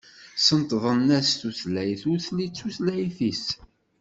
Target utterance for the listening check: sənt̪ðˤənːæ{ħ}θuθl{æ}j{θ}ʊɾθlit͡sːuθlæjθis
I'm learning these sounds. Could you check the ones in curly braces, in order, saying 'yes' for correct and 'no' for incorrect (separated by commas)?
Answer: no, yes, yes